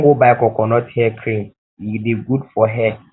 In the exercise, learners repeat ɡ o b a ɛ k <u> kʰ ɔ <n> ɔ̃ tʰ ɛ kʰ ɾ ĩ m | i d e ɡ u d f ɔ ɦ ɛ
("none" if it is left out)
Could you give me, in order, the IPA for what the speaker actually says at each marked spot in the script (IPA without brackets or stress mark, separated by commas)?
ɔ, n